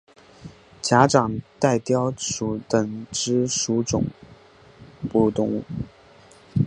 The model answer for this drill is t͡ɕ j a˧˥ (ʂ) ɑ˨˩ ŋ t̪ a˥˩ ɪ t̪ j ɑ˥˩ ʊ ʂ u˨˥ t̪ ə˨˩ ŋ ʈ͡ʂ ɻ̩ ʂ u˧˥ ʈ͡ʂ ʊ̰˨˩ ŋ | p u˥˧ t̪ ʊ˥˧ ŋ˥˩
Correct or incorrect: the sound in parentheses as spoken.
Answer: incorrect: ʈ͡ʂ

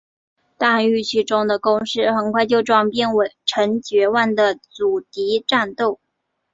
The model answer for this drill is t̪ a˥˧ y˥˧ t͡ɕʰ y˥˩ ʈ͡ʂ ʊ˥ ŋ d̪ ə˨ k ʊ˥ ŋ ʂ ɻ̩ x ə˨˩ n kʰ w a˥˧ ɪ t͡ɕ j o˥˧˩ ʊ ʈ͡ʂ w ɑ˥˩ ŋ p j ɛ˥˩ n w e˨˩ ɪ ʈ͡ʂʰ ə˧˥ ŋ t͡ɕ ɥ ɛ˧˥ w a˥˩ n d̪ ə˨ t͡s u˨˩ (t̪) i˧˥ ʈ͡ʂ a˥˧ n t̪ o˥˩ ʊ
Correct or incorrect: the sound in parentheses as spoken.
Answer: correct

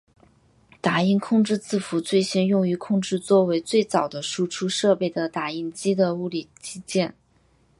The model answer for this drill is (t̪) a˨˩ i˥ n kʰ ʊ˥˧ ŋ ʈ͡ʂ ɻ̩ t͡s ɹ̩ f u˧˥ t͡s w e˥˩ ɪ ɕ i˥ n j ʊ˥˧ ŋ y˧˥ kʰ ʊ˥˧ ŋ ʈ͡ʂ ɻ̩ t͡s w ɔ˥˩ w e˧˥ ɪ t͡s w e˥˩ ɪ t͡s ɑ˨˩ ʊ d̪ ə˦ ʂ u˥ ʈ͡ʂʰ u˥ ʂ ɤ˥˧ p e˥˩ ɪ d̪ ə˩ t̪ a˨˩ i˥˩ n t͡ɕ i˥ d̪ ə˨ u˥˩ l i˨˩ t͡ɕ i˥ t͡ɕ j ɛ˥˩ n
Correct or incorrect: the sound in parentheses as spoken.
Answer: correct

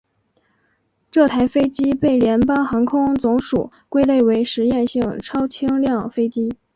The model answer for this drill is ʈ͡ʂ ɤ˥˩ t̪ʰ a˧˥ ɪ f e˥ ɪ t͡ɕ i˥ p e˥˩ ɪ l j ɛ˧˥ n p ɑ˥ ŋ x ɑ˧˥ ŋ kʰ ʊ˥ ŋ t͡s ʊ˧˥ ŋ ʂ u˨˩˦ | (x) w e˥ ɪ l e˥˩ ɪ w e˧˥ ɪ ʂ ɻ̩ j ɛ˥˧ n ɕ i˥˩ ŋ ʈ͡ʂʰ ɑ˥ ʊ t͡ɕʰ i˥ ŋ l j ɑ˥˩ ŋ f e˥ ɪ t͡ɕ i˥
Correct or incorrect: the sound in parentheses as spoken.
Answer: incorrect: k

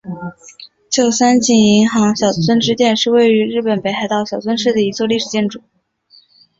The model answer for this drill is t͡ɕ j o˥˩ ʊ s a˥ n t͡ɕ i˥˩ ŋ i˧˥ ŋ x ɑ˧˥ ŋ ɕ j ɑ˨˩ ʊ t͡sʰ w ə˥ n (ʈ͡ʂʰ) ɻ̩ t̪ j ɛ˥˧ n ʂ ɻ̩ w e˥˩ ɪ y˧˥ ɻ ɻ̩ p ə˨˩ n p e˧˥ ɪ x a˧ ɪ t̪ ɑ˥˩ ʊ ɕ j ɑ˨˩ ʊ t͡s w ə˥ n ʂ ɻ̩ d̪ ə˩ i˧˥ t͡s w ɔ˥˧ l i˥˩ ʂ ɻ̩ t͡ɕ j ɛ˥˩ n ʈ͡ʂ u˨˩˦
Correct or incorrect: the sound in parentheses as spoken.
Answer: incorrect: ʈ͡ʂ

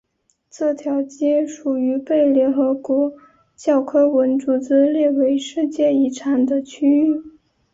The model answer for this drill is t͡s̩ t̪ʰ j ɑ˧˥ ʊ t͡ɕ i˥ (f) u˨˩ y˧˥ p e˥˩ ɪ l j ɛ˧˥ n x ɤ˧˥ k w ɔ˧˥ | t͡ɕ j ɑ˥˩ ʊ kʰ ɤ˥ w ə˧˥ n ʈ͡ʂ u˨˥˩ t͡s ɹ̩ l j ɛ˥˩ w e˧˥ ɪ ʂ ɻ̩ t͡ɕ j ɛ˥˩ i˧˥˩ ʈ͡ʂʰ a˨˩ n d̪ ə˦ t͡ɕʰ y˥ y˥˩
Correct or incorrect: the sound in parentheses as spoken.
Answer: incorrect: ʂ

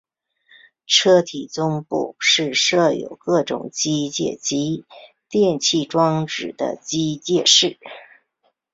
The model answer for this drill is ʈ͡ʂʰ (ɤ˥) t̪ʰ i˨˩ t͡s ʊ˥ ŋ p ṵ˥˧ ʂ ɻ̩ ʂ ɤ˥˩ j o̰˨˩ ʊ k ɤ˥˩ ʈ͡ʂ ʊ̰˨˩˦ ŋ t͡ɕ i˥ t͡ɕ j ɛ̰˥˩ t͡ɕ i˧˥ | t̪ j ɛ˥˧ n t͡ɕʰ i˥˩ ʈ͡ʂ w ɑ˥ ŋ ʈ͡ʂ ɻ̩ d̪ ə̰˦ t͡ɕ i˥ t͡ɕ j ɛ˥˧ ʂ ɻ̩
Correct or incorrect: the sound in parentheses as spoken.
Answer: correct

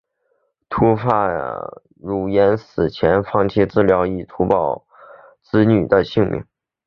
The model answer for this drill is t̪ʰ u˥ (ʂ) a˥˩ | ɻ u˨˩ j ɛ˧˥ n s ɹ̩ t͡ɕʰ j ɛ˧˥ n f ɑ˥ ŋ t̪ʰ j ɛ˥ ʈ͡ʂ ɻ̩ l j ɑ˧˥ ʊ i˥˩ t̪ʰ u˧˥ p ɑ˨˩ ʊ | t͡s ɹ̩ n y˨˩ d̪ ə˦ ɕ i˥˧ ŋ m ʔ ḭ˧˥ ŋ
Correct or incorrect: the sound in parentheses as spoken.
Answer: incorrect: f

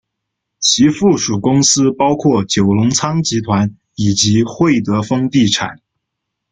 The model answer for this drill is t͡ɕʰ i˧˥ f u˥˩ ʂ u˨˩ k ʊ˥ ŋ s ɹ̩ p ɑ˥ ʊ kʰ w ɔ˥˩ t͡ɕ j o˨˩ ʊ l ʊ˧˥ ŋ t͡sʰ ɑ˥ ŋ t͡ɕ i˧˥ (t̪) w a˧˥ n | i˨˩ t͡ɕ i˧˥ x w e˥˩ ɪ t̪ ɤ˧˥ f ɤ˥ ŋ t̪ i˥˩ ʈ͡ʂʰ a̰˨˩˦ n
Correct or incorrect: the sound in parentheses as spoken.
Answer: incorrect: t̪ʰ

